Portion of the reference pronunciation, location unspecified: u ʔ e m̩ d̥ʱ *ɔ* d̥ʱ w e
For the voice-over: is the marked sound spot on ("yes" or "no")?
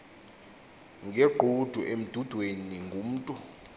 no